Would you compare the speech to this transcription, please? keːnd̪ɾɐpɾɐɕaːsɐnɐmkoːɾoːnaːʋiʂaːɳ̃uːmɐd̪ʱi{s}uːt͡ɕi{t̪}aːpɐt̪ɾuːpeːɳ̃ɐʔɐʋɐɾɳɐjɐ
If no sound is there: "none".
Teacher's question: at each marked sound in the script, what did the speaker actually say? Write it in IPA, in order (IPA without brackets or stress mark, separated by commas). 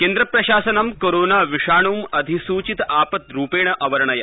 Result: s, t̪